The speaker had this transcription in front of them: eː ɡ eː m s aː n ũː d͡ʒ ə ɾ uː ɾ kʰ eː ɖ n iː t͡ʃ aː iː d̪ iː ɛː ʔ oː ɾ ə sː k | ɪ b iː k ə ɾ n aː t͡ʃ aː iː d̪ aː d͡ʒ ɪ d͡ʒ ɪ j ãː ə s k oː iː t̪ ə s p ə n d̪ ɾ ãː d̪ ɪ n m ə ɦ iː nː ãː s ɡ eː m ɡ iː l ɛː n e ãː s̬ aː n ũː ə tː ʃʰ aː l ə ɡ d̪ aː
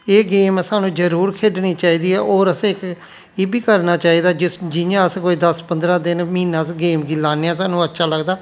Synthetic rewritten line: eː ɡ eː m s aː n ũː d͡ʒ ə ɾ uː ɾ kʰ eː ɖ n iː t͡ʃ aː iː d̪ iː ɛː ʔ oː ɾ ə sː k | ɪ b iː k ə ɾ n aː t͡ʃ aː iː d̪ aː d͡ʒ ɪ d͡ʒ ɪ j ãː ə s k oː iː d̪ ə s p ə n d̪ ɾ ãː d̪ ɪ n m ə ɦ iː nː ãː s ɡ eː m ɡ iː l aː n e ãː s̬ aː n ũː ə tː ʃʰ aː l ə ɡ d̪ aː

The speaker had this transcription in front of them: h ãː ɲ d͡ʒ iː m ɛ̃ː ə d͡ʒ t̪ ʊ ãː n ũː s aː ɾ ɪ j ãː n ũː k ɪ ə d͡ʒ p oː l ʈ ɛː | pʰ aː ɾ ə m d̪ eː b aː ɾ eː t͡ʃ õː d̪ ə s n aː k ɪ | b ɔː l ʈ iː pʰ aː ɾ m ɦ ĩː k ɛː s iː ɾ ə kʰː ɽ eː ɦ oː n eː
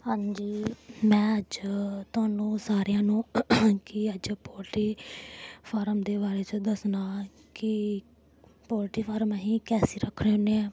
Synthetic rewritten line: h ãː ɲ d͡ʒ iː m ɛ̃ː ə d͡ʒ t̪ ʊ aː n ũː s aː ɾ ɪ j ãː n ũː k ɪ ə d͡ʒ p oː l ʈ iː | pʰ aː ɾ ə m d̪ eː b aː ɾ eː t͡ʃ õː d̪ ə s n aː k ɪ | p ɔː l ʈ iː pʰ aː ɾ m ɦ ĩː k ɛː s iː ɾ ə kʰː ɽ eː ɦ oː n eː

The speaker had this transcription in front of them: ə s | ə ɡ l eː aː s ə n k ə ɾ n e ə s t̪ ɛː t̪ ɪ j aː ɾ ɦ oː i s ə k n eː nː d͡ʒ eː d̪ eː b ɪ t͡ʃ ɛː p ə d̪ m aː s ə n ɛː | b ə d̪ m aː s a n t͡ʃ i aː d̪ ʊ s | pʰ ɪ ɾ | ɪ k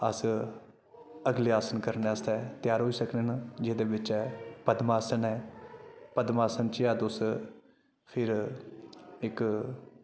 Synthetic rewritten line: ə s | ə ɡ l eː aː s ə n k ə ɾ n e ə s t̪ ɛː t̪ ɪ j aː ɾ ɦ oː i s ə k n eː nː d͡ʒ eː d̪ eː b ɪ t͡ʃ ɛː p ə d̪ m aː s ə n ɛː | p ə d̪ m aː s ə n t͡ʃ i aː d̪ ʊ s | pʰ ɪ ɾ | ɪ k

